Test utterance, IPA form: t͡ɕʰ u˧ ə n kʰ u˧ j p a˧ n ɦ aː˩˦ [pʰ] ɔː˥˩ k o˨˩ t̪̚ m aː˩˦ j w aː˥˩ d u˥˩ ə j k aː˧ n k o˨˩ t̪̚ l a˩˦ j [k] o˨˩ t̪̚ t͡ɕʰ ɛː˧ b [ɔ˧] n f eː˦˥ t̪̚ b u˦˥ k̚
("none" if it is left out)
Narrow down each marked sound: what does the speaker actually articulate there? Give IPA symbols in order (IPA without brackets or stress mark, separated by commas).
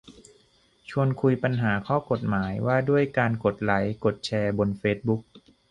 kʰ, k, o˧